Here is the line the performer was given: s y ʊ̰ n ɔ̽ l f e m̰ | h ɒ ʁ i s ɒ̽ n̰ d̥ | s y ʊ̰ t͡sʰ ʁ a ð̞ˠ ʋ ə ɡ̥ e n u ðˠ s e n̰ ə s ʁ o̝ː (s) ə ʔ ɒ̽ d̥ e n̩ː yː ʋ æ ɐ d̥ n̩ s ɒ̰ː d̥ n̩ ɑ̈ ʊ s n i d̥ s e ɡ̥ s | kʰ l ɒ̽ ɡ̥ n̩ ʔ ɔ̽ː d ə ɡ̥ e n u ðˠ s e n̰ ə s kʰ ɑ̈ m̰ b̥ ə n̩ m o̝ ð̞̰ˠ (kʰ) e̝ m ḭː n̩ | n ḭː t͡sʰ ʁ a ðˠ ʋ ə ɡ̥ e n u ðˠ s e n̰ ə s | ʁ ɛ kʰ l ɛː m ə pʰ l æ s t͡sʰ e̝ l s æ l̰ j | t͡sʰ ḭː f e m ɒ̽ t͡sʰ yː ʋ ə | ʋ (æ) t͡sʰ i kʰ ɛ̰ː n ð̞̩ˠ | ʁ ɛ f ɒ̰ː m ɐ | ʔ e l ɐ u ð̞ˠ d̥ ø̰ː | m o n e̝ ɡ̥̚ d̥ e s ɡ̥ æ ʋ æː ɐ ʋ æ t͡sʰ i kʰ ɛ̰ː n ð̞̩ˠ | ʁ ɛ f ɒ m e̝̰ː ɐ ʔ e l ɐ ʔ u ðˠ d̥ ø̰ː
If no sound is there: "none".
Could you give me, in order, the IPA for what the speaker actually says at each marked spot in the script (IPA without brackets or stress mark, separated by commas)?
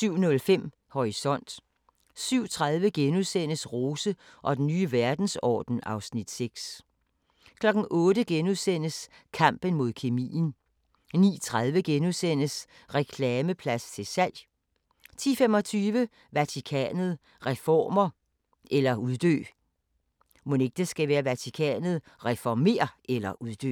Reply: s, kʰ, æ